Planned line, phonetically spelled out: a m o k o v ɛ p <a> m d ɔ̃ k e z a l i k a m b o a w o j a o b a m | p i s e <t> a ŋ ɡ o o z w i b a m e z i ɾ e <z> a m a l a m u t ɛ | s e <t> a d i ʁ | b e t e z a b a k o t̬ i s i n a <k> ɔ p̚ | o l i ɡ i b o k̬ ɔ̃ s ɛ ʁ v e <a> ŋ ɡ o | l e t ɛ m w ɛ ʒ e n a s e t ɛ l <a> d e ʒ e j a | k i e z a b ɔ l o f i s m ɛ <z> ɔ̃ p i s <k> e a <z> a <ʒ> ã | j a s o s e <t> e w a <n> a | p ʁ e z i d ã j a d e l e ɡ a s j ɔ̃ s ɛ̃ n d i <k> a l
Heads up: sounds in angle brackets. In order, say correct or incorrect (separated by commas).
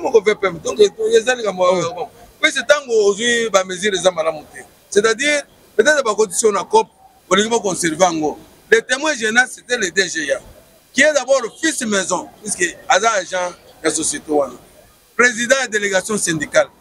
incorrect, correct, correct, correct, correct, correct, incorrect, correct, correct, correct, correct, correct, correct, correct